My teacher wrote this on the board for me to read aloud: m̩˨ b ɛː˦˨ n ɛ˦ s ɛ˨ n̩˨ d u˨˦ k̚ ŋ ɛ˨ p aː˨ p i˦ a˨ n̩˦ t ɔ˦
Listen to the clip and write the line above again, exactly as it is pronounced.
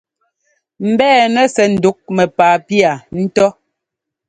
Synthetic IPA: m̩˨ b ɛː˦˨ n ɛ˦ s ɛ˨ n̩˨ d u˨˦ k̚ m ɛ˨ p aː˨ p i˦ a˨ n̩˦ t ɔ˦